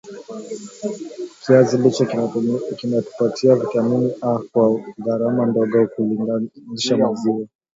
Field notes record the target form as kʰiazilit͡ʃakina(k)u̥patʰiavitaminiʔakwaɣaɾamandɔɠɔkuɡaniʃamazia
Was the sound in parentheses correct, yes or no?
no